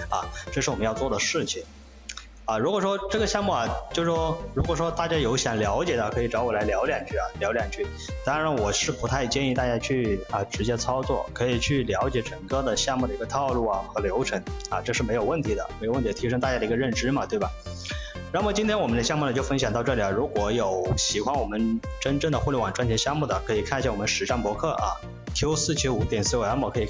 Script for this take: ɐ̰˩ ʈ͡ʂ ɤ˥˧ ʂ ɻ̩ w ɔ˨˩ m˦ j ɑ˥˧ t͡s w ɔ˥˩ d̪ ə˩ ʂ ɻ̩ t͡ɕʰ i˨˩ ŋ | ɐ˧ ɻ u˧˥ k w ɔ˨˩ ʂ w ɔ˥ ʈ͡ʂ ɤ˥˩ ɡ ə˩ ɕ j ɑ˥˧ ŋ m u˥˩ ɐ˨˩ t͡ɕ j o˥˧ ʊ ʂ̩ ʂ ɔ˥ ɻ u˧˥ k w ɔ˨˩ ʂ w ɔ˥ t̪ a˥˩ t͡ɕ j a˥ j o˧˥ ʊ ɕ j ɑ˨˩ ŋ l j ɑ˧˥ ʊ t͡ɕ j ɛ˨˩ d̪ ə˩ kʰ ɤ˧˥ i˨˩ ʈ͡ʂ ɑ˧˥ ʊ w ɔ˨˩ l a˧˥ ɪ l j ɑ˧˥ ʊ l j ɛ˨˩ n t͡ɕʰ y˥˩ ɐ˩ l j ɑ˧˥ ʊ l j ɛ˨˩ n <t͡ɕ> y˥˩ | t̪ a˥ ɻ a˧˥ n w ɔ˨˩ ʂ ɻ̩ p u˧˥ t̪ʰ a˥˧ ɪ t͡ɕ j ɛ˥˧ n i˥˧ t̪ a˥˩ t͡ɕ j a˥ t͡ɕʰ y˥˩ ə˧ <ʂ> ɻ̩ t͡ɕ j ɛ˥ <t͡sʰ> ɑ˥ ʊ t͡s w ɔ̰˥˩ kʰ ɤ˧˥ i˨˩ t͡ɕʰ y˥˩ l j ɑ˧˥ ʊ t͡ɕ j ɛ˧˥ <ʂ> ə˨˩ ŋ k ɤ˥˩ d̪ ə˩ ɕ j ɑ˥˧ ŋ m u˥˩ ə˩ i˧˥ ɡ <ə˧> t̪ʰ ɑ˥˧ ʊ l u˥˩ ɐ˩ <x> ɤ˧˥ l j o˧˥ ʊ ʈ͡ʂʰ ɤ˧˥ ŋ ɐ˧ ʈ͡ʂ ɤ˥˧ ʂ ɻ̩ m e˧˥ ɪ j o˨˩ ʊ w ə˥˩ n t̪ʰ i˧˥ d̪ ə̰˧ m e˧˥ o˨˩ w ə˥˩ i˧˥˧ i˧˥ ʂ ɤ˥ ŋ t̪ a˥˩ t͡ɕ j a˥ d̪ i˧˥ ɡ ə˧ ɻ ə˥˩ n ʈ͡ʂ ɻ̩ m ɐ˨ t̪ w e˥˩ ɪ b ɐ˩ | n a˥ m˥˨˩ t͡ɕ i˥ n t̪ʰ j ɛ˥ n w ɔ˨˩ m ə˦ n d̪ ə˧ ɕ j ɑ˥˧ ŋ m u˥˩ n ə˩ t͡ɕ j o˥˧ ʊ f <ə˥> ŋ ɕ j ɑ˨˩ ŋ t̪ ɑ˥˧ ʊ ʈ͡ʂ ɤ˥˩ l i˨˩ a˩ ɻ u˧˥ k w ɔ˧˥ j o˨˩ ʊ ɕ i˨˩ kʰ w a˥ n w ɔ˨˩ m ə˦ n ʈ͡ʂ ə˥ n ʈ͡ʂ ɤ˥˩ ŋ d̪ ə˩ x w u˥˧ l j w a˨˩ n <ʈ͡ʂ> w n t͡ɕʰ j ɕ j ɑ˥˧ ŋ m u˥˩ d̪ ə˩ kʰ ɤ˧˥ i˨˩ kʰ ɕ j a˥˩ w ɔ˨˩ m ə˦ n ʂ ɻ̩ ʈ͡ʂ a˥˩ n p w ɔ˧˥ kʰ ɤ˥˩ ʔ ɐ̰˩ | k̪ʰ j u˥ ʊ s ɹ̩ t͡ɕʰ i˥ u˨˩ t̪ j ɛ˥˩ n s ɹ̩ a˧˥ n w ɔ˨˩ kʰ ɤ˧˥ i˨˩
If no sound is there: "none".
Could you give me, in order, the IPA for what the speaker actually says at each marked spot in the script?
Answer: t͡ɕʰ, ʈ͡ʂ, t͡sʰ, ʈ͡ʂ, ə˧, x, ə˥, ʈ͡ʂ

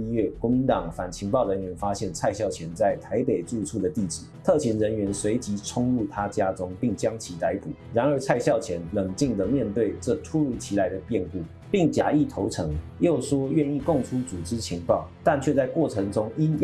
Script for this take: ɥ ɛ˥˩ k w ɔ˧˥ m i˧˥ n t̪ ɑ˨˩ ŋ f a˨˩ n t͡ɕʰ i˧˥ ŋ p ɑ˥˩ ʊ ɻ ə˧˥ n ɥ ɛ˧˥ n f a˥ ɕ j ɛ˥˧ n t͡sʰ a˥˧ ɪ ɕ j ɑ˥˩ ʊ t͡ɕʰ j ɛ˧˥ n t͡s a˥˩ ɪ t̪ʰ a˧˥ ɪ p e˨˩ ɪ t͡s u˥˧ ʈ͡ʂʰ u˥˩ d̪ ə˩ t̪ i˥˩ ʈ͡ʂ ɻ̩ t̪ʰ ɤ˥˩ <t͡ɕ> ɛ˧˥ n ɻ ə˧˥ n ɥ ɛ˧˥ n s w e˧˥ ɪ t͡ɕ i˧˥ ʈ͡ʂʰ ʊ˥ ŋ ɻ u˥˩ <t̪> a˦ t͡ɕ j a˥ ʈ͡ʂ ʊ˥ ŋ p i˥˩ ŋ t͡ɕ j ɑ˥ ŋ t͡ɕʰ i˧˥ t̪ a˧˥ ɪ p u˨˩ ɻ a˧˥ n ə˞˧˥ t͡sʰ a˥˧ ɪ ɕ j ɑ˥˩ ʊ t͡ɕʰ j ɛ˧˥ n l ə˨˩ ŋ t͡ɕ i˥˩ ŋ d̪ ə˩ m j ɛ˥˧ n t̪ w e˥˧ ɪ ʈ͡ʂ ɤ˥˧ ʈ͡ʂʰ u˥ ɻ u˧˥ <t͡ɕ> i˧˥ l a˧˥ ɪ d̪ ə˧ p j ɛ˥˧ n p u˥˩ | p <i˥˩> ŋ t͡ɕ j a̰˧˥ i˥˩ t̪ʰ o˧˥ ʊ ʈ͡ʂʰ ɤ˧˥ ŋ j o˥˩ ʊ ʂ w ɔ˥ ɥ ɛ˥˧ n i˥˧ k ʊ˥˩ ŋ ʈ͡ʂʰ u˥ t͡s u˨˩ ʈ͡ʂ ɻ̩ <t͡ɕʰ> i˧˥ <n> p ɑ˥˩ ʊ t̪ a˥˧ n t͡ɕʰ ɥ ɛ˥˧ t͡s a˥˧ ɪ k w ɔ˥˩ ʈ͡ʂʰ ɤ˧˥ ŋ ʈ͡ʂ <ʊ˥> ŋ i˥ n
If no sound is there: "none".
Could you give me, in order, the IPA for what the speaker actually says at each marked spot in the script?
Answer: t͡ɕʰ, t̪ʰ, t͡ɕʰ, i˥˩, t͡ɕʰ, ŋ, ʊ˥

